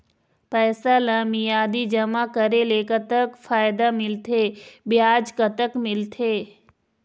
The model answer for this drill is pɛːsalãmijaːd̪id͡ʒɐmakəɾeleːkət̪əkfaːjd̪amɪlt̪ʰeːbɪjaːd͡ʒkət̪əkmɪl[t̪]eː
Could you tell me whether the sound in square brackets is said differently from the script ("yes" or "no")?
yes